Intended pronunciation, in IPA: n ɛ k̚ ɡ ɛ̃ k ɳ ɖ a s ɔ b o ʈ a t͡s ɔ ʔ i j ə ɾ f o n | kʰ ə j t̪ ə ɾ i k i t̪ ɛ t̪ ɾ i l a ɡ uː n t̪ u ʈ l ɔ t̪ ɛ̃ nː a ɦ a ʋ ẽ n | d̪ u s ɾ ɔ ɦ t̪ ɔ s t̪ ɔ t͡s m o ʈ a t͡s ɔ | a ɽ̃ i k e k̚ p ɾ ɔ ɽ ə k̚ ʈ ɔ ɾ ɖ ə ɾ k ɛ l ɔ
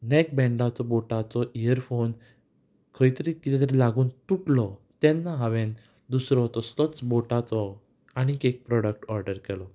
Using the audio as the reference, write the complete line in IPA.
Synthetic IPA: n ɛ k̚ b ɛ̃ ɳ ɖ a t͡s ɔ b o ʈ a t͡s ɔ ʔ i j ə ɾ f o n | kʰ ə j t̪ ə ɾ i k i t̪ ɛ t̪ ɾ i l a ɡ uː n t̪ u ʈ l ɔ t̪ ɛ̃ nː a ɦ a ʋ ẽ n | d̪ u s ɾ ɔ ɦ t̪ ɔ s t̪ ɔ t͡s b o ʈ a t͡s ɔ | a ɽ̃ i k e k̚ p ɾ ɔ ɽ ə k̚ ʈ ɔ ɾ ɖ ə ɾ k ɛ l ɔ

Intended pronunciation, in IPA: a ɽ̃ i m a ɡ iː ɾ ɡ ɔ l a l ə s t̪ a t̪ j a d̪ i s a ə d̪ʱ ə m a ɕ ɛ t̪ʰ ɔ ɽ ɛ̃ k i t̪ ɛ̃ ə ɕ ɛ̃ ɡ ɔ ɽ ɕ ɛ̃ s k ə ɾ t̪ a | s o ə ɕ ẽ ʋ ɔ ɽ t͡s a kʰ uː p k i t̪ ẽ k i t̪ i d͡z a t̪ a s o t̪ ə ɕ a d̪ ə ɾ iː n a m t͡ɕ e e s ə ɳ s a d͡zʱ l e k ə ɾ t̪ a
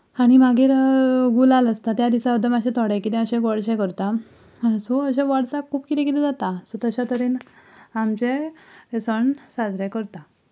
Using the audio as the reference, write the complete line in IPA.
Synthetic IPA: a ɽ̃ i m a ɡ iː ɾ ɡ u l a l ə s t̪ a t̪ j a d̪ i s a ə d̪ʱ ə m a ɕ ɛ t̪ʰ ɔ ɽ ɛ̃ k i t̪ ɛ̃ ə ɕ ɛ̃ ɡ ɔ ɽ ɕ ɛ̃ k ə ɾ t̪ a | s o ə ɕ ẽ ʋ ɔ ɽ t͡s a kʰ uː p k i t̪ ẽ k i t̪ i d͡z a t̪ a s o t̪ ə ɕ a t̪ ə ɾ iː n a m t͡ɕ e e s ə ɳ s a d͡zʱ ɾ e k ə ɾ t̪ a

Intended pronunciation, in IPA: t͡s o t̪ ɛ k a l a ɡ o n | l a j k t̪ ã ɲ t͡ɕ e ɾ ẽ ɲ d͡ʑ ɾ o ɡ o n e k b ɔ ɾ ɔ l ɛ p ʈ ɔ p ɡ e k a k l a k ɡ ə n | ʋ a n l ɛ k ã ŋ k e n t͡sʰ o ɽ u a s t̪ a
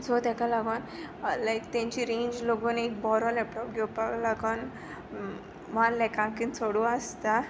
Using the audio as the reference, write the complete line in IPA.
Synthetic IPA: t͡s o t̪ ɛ k a l a ɡ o n | l a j k t̪ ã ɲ t͡ɕ i ɾ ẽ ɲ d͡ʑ l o ɡ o n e k b ɔ ɾ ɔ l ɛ p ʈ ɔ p ɡ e p a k l a ɡ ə n | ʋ a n l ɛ k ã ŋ k i n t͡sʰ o ɽ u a s t̪ a

